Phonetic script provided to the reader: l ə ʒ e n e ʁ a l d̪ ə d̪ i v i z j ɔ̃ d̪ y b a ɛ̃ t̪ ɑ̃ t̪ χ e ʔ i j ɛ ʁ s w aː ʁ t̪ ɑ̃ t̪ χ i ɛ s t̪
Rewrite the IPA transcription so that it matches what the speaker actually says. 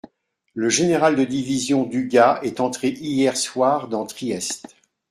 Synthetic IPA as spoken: l ə ʒ e n e ʁ a l d̪ ə d̪ i v i z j ɔ̃ d̪ y ɡ a ɛ t̪ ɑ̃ t̪ χ e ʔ i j ɛ ʁ s w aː ʁ d̪ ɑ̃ t̪ χ i ɛ s t̪